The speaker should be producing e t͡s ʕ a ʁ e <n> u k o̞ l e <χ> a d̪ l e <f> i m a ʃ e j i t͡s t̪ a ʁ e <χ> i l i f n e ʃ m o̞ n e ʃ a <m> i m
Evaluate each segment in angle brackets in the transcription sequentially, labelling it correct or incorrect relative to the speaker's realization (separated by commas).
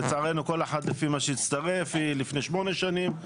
correct, incorrect, correct, incorrect, incorrect